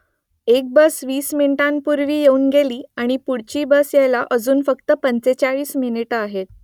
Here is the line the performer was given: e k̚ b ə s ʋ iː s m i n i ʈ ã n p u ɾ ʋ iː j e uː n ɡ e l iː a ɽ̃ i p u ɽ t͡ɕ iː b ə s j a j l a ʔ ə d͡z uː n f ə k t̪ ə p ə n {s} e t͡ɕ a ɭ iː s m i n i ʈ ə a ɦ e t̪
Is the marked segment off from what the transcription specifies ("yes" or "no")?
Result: yes